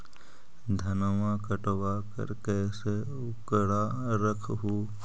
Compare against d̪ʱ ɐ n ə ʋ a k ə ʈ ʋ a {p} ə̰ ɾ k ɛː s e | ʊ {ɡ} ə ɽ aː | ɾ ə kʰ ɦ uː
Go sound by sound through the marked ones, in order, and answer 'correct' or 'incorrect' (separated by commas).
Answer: incorrect, incorrect